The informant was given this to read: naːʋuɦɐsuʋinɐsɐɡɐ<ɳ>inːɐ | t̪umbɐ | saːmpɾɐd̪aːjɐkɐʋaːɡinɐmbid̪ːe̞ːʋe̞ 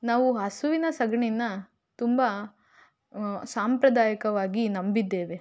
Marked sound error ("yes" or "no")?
no